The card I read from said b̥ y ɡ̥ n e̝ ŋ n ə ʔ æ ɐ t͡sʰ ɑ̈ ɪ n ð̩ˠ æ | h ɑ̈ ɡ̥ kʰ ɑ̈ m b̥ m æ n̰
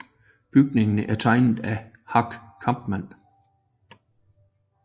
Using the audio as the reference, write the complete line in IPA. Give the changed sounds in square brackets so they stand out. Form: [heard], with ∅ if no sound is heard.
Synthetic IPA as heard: b̥ y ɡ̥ n e̝ ŋ n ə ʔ æ ɐ t͡sʰ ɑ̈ ɪ n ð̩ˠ æ | h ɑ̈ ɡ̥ kʰ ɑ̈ m b̥ m æ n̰